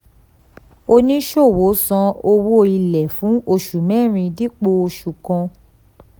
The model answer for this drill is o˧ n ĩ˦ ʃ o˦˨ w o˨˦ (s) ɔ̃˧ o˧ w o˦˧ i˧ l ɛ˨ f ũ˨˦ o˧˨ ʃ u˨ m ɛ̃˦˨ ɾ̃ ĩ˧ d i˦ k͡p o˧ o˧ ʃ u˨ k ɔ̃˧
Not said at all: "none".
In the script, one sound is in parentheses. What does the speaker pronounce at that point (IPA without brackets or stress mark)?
s